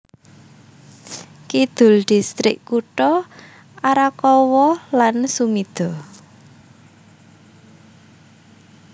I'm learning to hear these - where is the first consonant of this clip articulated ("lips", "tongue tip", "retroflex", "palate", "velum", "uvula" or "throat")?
velum